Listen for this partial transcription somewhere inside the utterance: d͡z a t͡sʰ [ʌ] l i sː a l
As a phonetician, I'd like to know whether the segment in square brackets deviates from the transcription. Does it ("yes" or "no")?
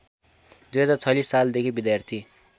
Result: no